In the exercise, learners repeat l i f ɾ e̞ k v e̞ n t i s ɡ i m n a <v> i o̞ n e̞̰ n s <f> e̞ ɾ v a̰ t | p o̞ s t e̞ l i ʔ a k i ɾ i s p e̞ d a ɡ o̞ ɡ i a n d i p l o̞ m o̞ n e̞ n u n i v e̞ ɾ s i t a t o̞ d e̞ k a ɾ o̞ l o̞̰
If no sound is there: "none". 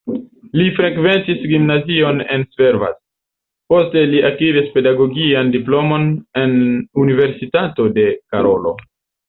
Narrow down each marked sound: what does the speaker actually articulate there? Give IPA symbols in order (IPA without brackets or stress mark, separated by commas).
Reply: z, v